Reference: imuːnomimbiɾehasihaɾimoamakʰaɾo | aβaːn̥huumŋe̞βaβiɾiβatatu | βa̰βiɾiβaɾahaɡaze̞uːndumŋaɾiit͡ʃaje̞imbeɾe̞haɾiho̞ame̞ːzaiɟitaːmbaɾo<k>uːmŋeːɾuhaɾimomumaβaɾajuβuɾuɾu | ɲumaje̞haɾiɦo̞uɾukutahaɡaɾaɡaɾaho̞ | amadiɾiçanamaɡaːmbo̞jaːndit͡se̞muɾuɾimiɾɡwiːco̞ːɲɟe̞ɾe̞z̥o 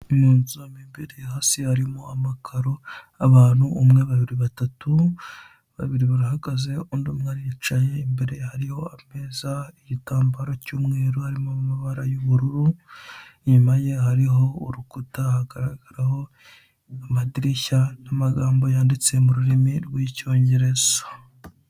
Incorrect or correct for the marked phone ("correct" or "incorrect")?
incorrect